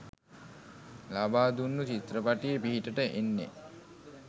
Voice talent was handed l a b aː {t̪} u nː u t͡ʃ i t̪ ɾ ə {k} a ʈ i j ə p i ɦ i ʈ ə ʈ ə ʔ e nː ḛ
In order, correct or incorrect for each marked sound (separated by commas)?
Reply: incorrect, incorrect